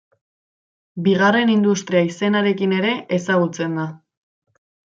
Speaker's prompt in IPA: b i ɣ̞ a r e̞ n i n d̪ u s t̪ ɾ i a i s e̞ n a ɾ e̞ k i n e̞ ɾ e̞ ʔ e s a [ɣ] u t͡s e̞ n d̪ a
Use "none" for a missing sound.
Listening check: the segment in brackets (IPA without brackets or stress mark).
ɣ